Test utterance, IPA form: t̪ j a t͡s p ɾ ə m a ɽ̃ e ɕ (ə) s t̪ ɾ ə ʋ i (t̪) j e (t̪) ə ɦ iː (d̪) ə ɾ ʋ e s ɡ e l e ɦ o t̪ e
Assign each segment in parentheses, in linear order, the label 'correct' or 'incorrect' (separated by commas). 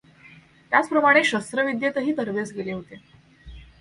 correct, incorrect, correct, incorrect